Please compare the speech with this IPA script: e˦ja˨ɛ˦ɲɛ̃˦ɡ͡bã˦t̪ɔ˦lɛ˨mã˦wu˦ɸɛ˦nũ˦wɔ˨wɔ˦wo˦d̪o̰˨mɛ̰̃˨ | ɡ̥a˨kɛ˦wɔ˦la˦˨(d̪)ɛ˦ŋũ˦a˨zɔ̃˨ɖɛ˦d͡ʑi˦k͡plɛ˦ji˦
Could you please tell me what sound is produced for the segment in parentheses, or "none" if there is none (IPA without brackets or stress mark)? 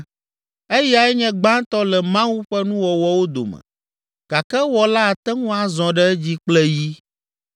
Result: t̪